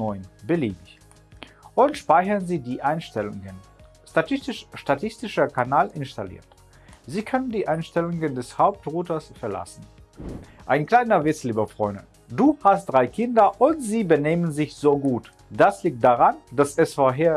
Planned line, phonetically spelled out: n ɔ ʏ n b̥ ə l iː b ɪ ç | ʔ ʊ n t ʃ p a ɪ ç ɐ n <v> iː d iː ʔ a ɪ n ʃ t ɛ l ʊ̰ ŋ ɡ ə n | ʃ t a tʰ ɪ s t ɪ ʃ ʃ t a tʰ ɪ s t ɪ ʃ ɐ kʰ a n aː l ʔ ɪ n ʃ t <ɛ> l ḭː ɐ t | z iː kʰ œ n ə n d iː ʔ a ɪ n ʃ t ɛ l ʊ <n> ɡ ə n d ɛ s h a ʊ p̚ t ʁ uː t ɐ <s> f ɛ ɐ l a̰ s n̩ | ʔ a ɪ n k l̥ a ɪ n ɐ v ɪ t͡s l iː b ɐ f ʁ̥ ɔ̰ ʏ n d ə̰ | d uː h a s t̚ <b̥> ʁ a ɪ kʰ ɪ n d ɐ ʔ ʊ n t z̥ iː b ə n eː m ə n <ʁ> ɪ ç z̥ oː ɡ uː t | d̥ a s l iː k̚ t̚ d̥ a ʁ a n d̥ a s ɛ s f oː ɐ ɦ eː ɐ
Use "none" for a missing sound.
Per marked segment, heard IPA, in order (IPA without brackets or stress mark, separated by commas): z, a, ŋ, s, d̥, z